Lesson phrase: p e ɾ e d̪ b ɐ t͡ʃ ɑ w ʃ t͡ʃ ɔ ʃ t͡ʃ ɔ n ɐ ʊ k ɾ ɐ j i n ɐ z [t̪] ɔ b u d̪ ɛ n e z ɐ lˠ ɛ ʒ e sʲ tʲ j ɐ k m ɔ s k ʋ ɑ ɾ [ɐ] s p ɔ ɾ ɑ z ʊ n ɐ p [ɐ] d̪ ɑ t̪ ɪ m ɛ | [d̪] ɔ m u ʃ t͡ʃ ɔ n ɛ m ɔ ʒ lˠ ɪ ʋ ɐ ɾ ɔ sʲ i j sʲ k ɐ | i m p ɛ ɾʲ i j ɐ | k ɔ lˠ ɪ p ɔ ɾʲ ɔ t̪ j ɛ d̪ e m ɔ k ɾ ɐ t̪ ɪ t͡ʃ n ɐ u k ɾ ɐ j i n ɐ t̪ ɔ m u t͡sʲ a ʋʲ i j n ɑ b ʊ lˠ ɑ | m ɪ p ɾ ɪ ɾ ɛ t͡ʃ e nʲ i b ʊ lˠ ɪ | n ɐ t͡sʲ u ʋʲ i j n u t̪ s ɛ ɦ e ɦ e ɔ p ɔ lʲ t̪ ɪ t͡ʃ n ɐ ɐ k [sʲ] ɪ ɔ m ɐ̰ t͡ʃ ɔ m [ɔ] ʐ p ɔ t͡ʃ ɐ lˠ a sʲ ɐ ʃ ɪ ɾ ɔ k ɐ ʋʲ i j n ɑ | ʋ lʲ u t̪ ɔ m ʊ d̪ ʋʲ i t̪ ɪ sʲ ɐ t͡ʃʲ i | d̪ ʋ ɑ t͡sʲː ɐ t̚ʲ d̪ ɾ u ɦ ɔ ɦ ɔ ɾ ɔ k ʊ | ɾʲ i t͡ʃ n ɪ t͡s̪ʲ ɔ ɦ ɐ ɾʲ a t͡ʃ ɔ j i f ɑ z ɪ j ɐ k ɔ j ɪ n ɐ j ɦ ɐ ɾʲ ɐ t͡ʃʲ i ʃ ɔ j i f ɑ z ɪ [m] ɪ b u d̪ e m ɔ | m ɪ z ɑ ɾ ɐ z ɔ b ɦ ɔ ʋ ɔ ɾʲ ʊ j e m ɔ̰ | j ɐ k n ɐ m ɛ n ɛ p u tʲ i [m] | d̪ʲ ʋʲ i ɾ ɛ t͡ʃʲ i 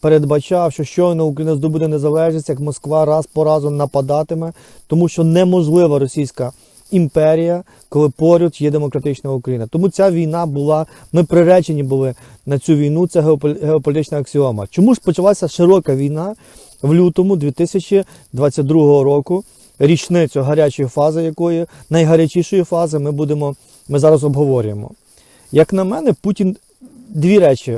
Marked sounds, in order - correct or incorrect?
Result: incorrect: d̪, incorrect: ɑ, correct, incorrect: t̪, correct, incorrect: u, correct, incorrect: n

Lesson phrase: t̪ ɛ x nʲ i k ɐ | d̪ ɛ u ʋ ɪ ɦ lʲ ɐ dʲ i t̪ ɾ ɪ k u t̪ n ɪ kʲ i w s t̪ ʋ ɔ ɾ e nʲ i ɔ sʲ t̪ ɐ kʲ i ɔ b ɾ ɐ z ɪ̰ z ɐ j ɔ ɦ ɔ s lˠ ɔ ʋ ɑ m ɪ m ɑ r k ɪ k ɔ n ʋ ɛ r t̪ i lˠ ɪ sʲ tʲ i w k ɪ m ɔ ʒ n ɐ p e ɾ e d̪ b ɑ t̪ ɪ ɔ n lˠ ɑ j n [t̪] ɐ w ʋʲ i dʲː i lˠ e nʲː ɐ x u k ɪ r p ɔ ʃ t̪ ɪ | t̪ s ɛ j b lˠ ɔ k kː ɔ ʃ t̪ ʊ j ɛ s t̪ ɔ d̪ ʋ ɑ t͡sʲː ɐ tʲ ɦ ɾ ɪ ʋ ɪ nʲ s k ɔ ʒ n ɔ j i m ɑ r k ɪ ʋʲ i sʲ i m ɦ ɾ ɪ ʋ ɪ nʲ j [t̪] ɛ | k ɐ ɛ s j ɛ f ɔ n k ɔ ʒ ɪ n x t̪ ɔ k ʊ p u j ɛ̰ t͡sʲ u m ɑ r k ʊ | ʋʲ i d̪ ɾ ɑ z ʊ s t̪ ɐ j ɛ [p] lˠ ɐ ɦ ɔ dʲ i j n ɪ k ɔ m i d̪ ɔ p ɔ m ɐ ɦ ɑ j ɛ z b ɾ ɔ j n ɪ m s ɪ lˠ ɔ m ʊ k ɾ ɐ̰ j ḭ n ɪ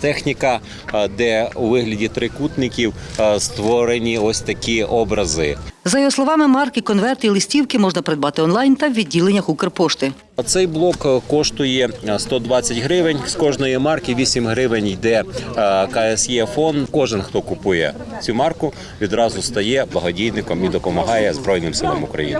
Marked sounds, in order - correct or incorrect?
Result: correct, incorrect: d̪, incorrect: b

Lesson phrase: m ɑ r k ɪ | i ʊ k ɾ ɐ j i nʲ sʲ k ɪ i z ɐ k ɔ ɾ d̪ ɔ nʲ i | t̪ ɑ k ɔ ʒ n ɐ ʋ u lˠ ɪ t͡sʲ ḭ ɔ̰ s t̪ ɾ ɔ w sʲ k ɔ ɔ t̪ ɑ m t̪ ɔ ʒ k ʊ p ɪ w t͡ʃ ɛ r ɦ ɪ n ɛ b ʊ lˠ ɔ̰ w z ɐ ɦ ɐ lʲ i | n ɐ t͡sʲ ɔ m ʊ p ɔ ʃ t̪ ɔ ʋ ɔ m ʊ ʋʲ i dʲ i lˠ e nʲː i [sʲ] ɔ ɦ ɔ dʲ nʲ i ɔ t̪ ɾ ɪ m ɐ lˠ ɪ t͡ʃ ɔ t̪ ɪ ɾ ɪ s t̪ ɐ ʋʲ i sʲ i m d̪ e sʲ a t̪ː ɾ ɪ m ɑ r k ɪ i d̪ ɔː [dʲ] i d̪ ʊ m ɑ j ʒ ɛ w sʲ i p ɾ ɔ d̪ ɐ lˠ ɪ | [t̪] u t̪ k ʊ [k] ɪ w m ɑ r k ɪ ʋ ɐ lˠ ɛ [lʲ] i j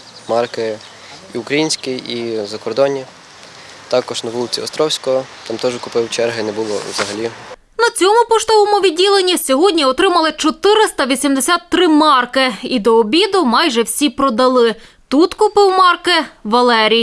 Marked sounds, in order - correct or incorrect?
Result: correct, incorrect: bʲ, correct, incorrect: p, incorrect: ɾʲ

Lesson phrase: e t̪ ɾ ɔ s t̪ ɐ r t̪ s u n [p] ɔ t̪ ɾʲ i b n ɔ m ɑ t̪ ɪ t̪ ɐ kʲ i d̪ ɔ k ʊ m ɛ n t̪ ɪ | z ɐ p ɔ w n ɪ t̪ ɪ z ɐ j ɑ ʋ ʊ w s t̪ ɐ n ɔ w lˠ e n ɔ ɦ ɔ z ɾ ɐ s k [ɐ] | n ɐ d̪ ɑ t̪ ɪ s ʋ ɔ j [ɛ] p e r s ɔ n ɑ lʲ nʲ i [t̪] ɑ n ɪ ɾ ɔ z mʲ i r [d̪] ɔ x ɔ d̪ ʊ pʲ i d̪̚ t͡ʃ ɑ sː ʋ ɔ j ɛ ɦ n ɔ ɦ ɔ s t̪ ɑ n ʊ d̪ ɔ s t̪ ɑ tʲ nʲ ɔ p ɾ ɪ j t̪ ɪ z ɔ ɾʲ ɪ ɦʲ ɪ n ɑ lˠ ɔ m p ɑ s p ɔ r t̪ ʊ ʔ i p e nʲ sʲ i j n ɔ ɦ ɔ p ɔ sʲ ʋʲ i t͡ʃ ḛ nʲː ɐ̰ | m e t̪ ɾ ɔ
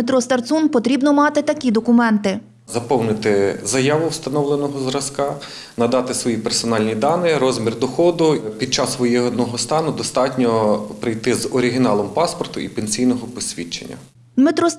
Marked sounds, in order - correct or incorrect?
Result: correct, incorrect: ɑ, incorrect: i, incorrect: d̪, correct

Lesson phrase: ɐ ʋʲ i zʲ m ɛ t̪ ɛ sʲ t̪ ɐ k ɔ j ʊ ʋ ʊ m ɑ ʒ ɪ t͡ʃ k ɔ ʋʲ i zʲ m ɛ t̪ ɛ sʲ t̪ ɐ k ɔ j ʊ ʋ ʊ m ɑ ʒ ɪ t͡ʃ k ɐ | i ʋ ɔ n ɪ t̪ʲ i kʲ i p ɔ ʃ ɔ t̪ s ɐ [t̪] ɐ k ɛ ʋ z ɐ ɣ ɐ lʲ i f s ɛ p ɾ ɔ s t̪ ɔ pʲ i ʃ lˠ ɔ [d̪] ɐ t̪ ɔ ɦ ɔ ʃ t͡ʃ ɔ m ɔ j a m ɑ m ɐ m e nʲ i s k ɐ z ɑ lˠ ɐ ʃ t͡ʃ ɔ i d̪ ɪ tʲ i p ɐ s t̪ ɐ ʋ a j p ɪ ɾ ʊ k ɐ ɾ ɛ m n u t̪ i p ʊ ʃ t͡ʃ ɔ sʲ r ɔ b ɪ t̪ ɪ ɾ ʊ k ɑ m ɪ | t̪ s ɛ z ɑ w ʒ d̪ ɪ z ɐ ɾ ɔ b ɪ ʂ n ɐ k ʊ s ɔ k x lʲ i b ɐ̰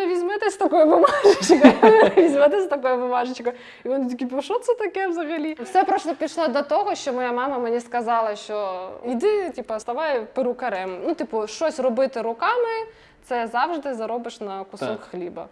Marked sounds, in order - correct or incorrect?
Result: correct, correct

